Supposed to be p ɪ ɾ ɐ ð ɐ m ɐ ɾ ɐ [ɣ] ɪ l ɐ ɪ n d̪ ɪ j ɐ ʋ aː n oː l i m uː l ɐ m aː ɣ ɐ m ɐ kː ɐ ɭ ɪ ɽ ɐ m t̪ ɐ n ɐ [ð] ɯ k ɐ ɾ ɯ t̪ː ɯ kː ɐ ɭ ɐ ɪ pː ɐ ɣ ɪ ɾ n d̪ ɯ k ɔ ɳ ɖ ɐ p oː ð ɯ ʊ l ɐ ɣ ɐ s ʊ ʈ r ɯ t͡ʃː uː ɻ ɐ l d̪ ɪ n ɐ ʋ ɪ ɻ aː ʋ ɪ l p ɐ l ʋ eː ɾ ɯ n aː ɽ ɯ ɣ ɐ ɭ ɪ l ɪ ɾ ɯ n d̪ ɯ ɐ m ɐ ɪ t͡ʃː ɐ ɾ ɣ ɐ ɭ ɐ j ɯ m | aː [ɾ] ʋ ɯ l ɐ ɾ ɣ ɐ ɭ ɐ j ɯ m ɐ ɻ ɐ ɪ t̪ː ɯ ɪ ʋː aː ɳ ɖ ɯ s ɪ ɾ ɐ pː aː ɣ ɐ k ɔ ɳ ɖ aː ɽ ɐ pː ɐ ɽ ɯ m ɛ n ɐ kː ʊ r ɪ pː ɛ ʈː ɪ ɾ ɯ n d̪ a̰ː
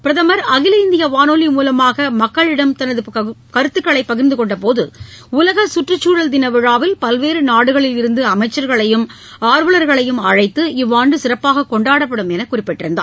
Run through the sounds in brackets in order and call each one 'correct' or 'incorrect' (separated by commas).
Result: correct, correct, correct